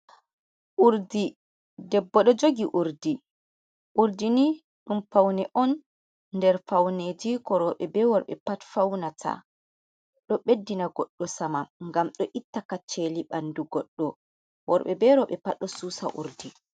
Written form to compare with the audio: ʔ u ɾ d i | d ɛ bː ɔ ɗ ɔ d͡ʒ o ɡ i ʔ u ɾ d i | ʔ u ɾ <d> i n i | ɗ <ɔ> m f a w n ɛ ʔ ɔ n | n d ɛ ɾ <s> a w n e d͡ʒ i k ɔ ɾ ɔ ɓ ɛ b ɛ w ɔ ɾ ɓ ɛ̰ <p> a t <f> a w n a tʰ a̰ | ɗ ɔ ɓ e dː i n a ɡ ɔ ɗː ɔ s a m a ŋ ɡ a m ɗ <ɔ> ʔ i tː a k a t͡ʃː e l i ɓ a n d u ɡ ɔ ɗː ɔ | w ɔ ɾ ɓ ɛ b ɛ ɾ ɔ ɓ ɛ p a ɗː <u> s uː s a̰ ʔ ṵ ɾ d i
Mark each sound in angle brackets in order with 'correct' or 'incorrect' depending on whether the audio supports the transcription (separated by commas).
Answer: correct, incorrect, incorrect, correct, correct, correct, incorrect